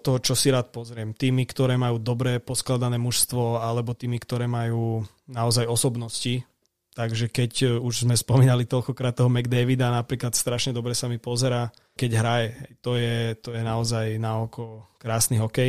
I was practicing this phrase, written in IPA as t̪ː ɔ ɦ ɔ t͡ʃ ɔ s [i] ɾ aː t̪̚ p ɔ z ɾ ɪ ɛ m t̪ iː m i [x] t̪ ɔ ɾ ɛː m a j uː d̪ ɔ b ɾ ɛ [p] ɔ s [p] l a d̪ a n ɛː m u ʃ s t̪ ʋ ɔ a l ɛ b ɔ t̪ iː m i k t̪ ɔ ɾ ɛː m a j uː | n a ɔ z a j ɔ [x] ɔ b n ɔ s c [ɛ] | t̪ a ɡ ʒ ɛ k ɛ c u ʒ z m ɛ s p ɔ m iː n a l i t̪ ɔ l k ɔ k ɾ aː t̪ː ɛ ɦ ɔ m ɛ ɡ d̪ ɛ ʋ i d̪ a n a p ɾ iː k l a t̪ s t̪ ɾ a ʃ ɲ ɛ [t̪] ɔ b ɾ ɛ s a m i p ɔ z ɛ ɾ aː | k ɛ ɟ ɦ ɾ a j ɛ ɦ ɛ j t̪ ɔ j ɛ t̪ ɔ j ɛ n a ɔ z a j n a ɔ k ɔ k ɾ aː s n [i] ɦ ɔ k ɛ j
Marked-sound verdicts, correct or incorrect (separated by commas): correct, incorrect, correct, incorrect, incorrect, incorrect, incorrect, correct